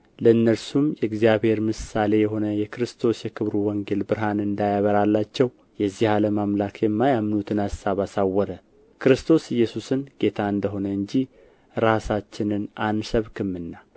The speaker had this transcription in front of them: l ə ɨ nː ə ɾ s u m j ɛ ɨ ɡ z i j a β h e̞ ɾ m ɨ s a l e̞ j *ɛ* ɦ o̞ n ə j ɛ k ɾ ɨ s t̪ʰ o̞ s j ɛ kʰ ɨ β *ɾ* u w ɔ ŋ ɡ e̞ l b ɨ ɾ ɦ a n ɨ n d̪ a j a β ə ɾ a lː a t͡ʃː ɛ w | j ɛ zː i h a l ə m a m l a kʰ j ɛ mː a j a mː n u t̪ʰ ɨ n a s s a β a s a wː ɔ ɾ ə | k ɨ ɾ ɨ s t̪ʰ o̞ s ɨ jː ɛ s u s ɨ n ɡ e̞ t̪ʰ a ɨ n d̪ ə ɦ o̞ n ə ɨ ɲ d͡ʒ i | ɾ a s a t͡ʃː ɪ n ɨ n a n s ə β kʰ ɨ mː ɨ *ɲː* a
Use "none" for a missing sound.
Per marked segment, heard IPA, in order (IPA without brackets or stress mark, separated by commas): ɛ, ɾ, nː